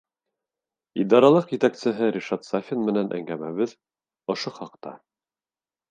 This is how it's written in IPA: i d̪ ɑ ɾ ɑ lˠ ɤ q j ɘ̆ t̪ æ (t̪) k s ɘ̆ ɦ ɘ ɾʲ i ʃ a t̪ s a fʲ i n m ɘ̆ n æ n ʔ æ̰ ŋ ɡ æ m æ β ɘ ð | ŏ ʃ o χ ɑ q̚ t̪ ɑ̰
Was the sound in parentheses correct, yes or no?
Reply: no